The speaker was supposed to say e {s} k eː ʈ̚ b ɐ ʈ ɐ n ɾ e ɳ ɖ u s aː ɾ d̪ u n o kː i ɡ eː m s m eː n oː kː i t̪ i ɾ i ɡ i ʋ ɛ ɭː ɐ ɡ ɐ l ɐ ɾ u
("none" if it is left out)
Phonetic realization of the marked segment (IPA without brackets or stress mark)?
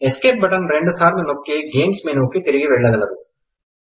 s